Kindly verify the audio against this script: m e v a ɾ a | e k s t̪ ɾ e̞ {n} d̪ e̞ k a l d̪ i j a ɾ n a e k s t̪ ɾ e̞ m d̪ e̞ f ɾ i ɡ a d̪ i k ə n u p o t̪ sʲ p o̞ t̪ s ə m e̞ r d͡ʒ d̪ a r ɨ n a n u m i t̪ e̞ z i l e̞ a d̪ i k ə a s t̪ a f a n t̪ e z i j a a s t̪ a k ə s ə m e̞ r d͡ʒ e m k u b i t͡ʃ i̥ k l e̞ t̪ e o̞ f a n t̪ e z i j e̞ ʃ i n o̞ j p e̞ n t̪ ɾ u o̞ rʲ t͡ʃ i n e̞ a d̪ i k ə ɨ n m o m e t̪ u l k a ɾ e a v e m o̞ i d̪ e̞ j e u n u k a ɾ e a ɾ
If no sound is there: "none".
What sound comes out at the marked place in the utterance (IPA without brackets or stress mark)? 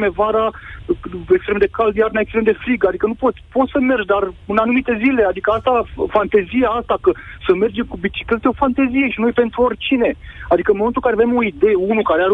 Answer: m